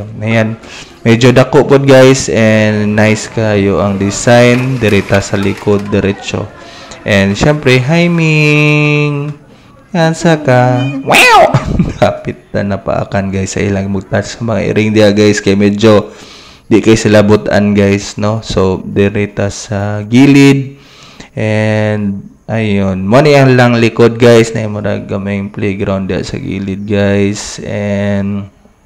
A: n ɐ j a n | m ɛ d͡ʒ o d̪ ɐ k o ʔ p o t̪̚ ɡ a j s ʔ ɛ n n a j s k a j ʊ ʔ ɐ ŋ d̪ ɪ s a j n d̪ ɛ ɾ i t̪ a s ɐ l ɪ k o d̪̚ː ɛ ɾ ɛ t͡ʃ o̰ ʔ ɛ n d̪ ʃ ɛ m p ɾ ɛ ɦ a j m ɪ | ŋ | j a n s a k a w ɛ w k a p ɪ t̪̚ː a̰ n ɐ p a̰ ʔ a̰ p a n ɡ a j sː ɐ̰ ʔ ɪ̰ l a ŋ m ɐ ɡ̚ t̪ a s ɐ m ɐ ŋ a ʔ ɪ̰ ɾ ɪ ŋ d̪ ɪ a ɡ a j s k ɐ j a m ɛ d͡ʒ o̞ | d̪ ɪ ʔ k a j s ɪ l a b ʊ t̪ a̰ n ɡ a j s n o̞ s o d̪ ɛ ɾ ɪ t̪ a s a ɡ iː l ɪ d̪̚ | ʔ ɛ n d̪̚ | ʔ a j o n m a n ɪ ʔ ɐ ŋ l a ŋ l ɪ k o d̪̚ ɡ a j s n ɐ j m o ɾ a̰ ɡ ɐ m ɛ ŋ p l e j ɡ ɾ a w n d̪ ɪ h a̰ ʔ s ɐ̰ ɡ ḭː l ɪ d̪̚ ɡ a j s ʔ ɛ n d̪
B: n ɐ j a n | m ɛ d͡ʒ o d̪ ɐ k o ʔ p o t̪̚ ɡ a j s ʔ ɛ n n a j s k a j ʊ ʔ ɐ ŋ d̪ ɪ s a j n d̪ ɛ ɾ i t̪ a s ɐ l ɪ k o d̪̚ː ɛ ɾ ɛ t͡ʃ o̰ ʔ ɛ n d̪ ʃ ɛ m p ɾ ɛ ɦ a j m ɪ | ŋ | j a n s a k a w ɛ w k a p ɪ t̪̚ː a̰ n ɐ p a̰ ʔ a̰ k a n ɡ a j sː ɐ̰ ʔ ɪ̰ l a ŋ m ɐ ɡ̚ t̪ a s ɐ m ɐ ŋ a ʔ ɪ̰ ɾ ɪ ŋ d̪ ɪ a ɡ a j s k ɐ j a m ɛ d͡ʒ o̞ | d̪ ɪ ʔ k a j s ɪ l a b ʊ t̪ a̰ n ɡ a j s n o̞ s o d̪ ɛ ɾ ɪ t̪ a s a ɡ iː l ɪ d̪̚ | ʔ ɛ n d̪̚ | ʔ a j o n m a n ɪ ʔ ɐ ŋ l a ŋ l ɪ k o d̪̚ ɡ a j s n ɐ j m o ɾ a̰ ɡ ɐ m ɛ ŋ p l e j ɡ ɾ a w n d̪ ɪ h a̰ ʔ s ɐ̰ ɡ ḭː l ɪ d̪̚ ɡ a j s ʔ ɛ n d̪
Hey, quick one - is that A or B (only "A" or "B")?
B